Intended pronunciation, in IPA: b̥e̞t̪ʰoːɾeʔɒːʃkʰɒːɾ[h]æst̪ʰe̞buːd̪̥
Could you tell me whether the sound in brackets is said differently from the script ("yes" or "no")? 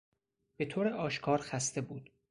yes